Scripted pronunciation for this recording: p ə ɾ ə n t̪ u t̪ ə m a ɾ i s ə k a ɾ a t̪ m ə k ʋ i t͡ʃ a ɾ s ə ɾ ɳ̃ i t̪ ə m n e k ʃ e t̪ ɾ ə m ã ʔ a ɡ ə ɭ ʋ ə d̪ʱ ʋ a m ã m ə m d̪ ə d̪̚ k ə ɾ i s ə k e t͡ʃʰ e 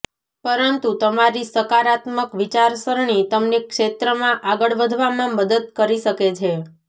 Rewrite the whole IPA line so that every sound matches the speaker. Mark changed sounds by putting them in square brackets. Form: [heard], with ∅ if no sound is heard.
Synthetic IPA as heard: p ə ɾ ə n t̪ u t̪ ə m a ɾ i s ə k a ɾ a t̪ m ə k ʋ i t͡ʃ a ɾ s ə ɾ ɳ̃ i t̪ ə m n e k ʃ e t̪ ɾ ə m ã ʔ a ɡ ə ɭ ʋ ə d̪ʱ ʋ a m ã m ə [∅] d̪ ə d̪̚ k ə ɾ i [ʃ] ə k e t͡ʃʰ e

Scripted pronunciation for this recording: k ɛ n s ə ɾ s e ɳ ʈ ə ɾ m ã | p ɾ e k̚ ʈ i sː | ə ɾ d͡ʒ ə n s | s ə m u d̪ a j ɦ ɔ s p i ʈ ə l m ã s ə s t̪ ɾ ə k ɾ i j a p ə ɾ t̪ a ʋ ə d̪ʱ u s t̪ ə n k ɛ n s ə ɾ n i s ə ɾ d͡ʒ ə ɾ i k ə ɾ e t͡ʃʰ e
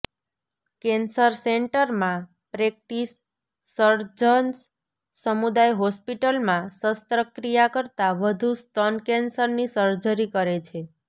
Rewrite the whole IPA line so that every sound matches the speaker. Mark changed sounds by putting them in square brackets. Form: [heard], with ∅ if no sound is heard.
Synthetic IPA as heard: k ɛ n s ə ɾ s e ɳ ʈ ə ɾ m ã | p ɾ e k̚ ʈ i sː | ə ɾ d͡ʒ ə n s | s ə m u d̪ a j ɦ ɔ s p i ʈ ə l m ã s ə s t̪ ɾ ə k ɾ i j a [k] ə ɾ t̪ a ʋ ə d̪ʱ u s t̪ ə n k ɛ n s ə ɾ n i s ə ɾ d͡ʒ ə ɾ i k ə ɾ e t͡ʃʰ e

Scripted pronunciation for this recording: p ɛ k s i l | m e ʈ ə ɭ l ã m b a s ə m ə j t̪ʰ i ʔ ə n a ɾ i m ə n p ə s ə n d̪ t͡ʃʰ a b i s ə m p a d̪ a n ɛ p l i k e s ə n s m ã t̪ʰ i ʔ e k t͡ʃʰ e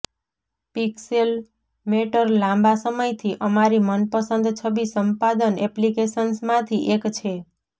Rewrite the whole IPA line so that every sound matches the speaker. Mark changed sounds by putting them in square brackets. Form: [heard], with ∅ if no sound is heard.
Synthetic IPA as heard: p [i] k s [e] l | m e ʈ ə [ɾ] l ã m b a s ə m ə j t̪ʰ i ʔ ə [m] a ɾ i m ə n p ə s ə n d̪ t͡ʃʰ [ə] b i s ə m p a d̪ [ə] n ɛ p l i k e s ə n s m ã t̪ʰ i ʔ e k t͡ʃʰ e

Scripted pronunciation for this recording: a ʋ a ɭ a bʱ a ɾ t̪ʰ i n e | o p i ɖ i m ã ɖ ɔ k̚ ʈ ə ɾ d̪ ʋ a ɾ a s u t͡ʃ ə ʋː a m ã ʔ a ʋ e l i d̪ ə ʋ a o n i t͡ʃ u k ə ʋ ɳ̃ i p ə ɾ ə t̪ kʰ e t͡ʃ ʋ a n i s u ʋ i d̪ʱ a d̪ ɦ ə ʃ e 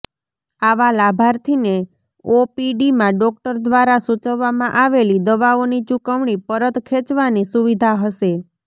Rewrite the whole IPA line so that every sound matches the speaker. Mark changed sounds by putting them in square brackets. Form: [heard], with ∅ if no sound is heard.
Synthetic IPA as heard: a ʋ a [l] a bʱ a ɾ t̪ʰ i n e | o p i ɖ i m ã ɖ ɔ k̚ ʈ ə ɾ d̪ ʋ a ɾ a s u t͡ʃ ə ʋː a m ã ʔ a ʋ e l i d̪ ə ʋ a o n i t͡ʃ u k ə ʋ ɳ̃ i p ə ɾ ə t̪ kʰ e t͡ʃ ʋ a n i s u ʋ i d̪ʱ a [∅] ɦ ə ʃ e

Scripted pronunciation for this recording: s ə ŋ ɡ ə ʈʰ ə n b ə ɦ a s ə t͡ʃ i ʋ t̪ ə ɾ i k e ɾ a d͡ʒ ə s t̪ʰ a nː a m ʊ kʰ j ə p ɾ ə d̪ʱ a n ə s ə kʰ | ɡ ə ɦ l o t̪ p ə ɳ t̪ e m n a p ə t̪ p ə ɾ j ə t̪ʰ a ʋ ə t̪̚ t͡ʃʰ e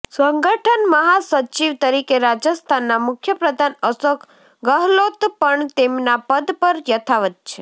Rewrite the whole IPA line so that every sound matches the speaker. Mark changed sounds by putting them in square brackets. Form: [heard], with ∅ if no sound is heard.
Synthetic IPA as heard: s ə ŋ ɡ ə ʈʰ ə n [m] ə ɦ a s ə t͡ʃ i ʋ t̪ ə ɾ i k e ɾ a d͡ʒ ə s t̪ʰ a nː a m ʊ kʰ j ə p ɾ ə d̪ʱ a n ə s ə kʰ | ɡ ə ɦ l o t̪ p ə ɳ t̪ e m n a p ə [d̪] p ə ɾ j ə t̪ʰ a ʋ ə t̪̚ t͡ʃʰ e

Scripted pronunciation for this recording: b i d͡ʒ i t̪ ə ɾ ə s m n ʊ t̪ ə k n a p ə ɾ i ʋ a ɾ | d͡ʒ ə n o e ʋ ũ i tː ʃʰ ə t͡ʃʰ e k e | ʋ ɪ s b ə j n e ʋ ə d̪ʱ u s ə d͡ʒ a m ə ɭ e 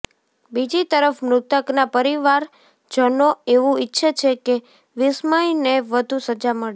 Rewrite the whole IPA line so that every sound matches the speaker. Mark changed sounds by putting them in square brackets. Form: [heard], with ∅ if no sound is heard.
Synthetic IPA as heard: b i d͡ʒ i t̪ ə ɾ ə [f] m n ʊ t̪ ə k n a p ə ɾ i ʋ a ɾ | d͡ʒ ə n o e ʋ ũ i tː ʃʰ ə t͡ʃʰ e k e | ʋ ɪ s [m] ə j n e ʋ ə d̪ʱ u s ə d͡ʒ a m ə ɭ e

